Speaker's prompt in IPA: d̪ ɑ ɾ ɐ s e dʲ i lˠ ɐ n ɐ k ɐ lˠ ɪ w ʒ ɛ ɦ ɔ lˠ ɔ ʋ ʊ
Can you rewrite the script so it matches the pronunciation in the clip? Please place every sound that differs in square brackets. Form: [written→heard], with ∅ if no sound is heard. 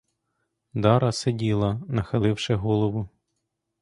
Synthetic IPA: d̪ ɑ ɾ ɐ s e dʲ i lˠ ɐ n ɐ [k→x] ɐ lˠ ɪ w [ʒ→ʃ] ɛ ɦ ɔ lˠ ɔ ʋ ʊ